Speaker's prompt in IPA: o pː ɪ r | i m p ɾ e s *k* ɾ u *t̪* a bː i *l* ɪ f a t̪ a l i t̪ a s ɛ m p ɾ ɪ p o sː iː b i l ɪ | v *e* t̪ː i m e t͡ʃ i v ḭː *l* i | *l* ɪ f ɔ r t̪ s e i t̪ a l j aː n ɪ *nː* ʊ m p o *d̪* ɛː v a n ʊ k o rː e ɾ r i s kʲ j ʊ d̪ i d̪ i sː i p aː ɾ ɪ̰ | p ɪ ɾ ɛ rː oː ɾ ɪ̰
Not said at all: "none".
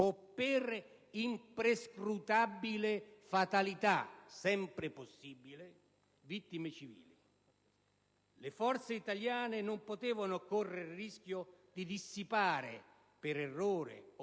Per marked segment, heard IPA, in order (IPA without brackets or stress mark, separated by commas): k, t̪, l, i, l, l, n, t̪